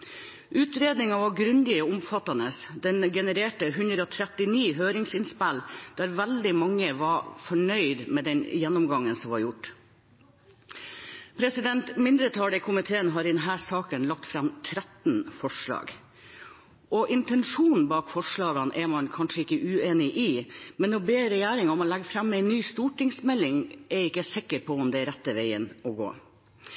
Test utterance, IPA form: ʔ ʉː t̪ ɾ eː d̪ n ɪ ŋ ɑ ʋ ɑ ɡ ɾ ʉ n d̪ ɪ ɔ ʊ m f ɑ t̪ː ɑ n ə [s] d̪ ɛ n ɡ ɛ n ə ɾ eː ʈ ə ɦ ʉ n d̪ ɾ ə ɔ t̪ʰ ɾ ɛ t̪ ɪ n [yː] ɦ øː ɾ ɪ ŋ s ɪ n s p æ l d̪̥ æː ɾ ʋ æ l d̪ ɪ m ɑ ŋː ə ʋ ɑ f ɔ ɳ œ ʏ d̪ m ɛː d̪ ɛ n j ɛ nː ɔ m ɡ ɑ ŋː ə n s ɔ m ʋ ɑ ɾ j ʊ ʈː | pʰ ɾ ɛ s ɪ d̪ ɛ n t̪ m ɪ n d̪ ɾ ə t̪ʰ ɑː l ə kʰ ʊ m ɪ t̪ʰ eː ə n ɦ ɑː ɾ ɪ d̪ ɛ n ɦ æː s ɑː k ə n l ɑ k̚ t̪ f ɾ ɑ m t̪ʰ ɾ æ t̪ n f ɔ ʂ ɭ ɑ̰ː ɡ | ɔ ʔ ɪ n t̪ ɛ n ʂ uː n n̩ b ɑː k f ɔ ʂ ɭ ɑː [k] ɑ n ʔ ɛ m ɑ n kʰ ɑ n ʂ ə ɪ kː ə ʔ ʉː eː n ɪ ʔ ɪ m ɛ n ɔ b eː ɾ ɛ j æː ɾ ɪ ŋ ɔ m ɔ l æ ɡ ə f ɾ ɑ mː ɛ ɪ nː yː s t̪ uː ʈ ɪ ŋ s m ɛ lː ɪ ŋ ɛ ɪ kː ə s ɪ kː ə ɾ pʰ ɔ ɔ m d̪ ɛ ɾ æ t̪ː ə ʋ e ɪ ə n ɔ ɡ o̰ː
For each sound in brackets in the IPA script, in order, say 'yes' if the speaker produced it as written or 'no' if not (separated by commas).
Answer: yes, no, no